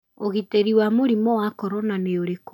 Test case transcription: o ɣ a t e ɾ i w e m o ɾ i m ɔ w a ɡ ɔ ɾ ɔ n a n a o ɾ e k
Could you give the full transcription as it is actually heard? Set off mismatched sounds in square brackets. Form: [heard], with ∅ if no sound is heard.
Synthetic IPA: o ɣ [i] t e ɾ i w [a] m o ɾ i m ɔ w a [k] ɔ ɾ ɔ n a n [e] o ɾ e k